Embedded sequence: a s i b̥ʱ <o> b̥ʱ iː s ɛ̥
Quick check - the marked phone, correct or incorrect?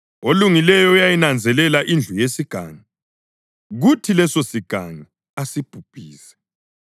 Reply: incorrect: u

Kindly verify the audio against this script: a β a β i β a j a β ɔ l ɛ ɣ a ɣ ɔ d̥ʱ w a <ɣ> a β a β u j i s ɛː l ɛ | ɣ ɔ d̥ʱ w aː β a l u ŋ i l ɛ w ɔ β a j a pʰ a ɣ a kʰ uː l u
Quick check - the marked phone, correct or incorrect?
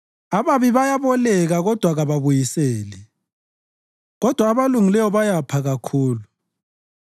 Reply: correct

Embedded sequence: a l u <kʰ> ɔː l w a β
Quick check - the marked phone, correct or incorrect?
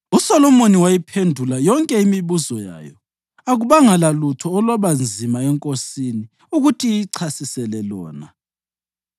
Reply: incorrect: tʰ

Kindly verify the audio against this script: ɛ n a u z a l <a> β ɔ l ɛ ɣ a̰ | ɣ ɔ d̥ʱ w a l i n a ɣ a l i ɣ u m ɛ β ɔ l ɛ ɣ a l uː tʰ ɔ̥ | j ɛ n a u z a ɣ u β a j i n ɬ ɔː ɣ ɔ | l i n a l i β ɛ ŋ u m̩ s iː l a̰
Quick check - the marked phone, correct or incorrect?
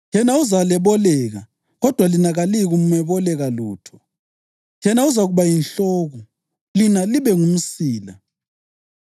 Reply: incorrect: ɛ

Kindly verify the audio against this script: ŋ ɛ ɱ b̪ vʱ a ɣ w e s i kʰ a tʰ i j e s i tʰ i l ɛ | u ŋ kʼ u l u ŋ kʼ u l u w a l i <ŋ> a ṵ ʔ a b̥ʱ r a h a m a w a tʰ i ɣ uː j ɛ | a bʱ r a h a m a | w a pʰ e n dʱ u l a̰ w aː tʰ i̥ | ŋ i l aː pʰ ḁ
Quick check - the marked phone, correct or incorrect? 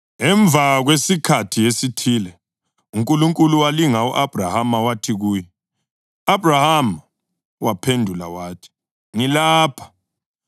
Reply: correct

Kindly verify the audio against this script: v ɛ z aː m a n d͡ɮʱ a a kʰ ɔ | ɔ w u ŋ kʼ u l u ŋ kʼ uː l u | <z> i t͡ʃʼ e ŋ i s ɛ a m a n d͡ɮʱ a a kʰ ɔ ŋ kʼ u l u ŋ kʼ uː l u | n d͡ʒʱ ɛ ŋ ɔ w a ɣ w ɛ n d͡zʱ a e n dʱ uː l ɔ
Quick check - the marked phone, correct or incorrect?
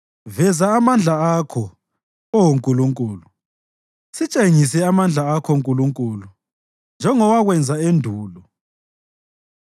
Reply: incorrect: s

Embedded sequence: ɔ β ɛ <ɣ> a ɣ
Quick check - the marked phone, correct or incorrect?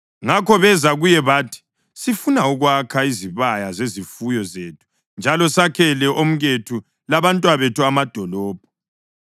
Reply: incorrect: z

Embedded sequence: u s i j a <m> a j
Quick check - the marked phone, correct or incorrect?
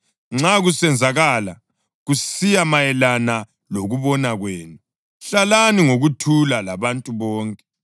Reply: correct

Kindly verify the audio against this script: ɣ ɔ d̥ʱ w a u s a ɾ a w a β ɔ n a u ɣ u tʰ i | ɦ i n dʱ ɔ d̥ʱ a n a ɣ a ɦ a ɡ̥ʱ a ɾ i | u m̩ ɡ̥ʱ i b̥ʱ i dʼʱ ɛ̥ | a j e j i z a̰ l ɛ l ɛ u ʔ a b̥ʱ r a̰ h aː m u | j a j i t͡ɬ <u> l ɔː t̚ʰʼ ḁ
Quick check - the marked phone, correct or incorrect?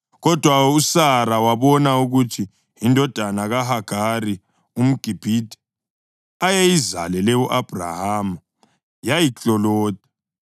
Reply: incorrect: ɔ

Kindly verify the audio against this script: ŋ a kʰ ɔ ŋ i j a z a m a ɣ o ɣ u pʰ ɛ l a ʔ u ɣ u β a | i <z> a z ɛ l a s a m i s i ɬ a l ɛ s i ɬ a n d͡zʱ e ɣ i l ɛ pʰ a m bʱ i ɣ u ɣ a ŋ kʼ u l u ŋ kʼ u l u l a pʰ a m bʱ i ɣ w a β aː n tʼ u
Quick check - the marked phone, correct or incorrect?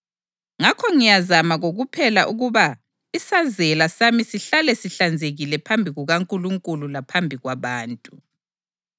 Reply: incorrect: s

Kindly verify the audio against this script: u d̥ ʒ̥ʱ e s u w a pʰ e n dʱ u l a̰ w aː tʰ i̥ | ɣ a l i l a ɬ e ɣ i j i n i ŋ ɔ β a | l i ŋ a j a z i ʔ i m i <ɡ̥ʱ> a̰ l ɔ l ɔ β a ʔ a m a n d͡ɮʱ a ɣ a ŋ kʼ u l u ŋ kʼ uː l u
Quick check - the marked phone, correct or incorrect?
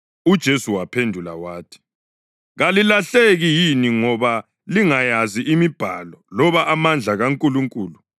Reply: incorrect: b̥ʱ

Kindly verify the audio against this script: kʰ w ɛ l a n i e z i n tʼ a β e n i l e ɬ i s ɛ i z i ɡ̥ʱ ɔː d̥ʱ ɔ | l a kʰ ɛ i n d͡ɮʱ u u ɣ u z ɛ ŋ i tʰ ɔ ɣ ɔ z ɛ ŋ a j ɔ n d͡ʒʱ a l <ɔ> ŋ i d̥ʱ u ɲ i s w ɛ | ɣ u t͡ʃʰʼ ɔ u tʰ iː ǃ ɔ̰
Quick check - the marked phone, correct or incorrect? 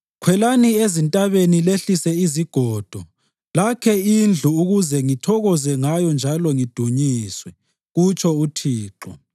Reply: correct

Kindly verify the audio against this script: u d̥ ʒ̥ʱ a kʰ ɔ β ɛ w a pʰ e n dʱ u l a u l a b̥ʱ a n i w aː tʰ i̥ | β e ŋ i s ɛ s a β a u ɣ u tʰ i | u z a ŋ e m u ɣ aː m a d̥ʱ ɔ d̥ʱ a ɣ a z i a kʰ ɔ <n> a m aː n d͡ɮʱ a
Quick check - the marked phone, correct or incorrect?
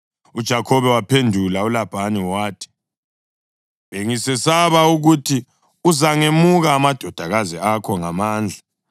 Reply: incorrect: ŋ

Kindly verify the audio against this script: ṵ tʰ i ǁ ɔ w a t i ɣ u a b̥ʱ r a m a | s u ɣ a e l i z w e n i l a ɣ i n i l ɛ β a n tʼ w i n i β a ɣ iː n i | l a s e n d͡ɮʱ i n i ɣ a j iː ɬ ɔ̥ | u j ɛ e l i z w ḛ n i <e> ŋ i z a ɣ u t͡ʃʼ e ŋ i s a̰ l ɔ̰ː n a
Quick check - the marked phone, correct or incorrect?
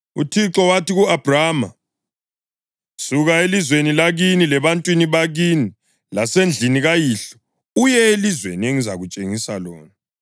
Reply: correct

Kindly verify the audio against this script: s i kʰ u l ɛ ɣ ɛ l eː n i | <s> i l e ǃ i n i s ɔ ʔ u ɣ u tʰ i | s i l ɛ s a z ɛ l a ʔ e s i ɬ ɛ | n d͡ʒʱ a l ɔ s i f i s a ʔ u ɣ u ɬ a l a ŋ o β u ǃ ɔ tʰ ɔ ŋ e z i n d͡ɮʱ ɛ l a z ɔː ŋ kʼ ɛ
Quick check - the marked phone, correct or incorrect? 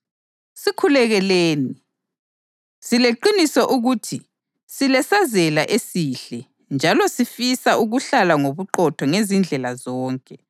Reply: correct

